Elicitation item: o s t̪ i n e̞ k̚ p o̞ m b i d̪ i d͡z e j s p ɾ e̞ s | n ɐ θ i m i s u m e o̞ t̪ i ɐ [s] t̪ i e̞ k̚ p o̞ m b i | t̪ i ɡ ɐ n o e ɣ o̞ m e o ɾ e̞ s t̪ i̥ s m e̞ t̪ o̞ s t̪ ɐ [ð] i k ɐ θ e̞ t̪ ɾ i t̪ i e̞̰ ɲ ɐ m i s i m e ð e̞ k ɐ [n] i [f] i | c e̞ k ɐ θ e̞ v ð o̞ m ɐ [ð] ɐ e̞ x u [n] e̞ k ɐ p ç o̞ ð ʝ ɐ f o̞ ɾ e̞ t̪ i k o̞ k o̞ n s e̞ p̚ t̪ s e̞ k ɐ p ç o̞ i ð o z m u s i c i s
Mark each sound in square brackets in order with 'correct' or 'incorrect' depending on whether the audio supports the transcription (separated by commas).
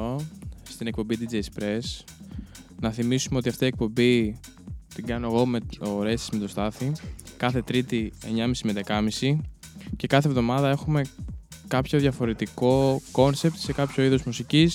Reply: incorrect, incorrect, incorrect, incorrect, correct, incorrect